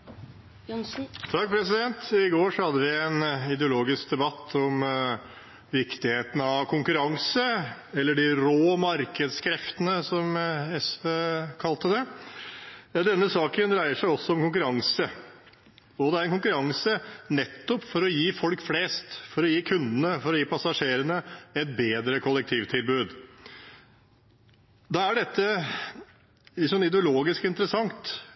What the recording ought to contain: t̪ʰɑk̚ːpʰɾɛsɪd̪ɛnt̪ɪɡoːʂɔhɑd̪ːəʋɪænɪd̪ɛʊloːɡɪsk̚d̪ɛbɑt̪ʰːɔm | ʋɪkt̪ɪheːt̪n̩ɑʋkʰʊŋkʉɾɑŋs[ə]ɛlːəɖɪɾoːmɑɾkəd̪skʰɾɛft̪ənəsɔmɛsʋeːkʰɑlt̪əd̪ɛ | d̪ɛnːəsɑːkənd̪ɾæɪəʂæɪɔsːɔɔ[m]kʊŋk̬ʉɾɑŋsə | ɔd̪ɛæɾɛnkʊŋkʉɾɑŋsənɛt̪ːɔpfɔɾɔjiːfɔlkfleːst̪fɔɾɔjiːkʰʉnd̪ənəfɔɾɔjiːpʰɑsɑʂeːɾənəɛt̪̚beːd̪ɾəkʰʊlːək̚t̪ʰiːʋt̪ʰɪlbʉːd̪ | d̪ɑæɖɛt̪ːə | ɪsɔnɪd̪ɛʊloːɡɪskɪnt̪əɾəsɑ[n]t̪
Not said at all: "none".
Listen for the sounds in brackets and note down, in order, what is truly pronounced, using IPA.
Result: ə, m, ŋ

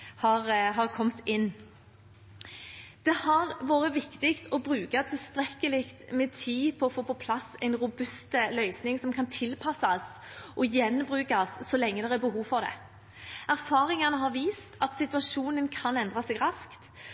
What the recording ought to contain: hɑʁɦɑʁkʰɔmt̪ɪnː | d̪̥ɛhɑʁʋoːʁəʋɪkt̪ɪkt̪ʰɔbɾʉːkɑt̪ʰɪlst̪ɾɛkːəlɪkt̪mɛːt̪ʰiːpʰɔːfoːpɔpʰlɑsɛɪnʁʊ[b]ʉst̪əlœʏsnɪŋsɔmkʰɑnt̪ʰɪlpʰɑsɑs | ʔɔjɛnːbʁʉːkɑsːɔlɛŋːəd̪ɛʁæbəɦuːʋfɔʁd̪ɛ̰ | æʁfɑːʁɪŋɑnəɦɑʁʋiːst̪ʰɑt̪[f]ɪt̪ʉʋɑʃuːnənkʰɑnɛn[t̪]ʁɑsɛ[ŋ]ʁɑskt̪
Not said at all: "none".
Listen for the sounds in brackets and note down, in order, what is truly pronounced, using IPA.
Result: b, s, d̪, ɡ

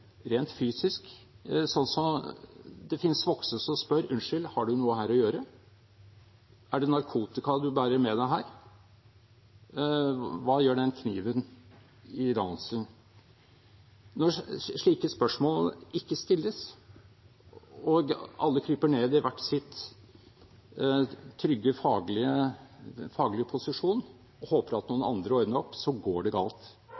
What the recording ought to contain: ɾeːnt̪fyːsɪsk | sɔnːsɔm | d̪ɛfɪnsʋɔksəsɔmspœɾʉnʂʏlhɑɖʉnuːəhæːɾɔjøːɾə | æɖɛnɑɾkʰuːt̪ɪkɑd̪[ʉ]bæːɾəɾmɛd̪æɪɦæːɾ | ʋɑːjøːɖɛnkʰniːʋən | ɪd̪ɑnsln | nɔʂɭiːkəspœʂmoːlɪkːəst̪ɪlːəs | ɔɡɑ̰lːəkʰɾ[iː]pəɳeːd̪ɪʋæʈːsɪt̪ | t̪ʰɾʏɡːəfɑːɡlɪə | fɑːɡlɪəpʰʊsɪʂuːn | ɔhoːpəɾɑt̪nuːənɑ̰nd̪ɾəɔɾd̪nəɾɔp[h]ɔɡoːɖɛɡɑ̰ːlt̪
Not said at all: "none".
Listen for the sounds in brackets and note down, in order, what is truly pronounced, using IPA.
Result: ʉ, yː, s

